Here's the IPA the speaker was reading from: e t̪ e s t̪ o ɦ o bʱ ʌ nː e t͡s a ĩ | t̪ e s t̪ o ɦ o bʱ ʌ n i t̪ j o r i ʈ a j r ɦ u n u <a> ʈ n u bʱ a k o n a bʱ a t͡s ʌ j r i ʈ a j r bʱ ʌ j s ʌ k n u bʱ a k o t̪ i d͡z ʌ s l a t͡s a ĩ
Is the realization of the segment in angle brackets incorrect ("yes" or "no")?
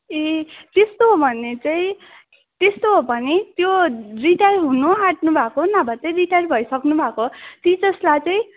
no